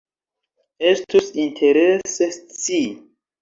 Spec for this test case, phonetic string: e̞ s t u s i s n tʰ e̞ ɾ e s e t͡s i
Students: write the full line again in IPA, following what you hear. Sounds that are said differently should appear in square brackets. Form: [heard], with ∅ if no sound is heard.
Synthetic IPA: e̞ s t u s i [∅] n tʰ e̞ ɾ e s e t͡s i